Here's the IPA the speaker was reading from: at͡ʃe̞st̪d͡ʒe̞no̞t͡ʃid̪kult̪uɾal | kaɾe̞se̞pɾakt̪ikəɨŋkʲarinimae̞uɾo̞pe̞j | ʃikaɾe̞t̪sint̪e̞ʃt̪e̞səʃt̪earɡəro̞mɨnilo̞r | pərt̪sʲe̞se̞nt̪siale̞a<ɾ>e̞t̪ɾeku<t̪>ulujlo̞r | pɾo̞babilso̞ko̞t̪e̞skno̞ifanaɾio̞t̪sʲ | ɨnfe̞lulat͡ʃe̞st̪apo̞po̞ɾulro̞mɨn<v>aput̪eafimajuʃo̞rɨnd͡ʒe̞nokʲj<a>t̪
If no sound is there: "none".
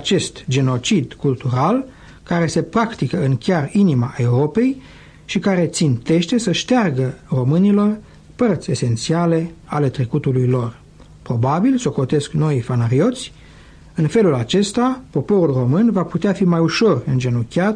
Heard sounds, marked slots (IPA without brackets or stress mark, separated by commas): l, t̪, v, a